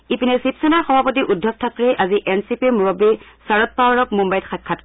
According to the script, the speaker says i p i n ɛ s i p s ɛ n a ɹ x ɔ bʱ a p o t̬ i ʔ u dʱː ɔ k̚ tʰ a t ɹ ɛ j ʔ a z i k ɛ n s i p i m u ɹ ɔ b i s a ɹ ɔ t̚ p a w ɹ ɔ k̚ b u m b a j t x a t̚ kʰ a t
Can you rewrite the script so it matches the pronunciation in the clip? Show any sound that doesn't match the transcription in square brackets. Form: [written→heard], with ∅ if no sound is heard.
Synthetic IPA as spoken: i p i n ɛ s i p s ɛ n a ɹ x ɔ bʱ a p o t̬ i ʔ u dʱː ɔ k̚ tʰ a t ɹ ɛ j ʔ a z i [k→ʔ] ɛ n s i p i m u ɹ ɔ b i s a ɹ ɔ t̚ p a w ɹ ɔ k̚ [b→m] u m b a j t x a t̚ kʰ a t